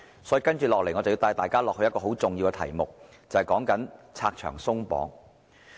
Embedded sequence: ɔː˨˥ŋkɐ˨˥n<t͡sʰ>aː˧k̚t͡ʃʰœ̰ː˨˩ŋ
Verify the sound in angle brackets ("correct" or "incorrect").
correct